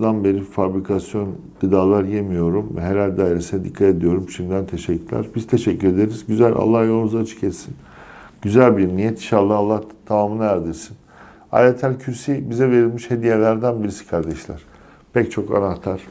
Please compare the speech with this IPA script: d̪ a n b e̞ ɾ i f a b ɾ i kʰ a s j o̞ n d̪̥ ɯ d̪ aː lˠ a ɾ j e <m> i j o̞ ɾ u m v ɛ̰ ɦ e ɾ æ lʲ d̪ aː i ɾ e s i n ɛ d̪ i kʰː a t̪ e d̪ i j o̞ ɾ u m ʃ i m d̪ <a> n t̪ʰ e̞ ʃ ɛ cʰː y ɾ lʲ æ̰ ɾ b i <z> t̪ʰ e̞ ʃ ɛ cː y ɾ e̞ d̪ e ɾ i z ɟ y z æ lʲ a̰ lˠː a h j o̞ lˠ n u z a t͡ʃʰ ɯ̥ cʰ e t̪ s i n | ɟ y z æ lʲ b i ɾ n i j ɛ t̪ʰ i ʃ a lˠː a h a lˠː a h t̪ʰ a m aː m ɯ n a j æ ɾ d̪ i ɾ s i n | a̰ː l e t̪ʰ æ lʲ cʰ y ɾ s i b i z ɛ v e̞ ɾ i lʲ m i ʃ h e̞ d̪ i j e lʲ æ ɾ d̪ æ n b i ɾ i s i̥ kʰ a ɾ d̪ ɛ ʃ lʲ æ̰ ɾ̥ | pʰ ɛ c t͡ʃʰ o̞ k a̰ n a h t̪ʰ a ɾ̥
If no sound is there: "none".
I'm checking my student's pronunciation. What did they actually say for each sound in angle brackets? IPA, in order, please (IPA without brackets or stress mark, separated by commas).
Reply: m, æ, z